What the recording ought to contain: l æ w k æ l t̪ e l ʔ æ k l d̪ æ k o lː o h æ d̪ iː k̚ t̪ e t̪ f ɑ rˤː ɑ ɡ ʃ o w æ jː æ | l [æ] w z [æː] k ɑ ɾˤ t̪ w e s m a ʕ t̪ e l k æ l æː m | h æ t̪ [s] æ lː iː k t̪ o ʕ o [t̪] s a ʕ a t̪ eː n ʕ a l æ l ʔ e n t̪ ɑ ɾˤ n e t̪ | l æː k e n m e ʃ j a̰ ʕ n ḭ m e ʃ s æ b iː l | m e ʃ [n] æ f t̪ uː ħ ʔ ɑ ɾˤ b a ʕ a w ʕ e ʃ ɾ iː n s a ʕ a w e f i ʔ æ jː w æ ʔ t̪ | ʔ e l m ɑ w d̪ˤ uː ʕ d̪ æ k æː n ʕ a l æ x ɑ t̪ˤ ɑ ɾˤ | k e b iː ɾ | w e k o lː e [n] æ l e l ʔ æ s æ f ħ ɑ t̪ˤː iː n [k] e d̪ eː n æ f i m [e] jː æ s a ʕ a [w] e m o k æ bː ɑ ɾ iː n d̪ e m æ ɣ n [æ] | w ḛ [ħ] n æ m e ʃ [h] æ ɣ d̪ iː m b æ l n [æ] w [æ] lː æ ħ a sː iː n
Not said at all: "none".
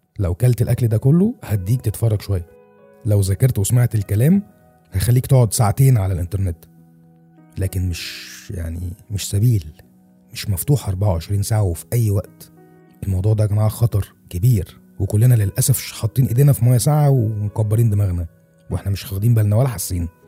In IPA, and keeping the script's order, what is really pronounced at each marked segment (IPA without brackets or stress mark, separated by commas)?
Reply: æ, æ, x, d̪, m, n, ʔ, æ, w, æ, ħ, x, æ, æ